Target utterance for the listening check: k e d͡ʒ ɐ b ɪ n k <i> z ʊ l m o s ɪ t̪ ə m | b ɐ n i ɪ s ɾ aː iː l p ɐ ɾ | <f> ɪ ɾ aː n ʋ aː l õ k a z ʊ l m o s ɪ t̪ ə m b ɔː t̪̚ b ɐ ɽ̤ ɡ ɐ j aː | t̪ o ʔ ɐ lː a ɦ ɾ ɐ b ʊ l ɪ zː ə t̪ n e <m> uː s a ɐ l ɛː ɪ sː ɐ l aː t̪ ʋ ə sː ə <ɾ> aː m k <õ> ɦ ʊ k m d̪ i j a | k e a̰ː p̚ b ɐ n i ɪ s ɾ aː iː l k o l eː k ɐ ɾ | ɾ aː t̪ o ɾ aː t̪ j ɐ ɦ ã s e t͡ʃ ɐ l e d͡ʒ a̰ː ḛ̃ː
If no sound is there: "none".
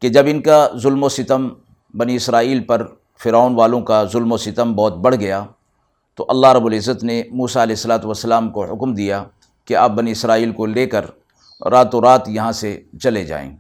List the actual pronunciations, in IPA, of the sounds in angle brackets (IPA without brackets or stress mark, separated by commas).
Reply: a, f, m, l, o